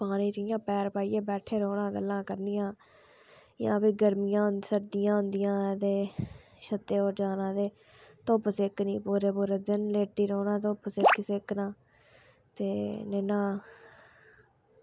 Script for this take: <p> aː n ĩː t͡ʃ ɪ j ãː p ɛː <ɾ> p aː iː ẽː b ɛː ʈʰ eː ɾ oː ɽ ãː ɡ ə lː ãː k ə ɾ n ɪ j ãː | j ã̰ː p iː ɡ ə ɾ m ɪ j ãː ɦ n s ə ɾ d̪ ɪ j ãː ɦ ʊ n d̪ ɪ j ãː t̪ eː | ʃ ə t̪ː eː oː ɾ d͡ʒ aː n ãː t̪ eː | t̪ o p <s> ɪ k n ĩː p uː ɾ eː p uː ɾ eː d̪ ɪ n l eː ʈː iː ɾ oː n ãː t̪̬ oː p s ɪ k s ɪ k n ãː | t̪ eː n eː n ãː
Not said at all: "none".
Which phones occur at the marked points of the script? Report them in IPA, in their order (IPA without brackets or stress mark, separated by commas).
p, ɾ, s